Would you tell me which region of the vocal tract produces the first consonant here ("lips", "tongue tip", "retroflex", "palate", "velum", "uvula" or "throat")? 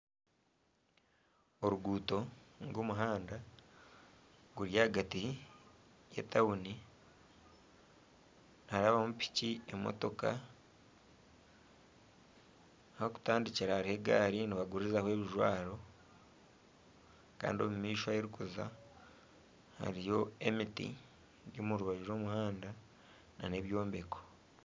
tongue tip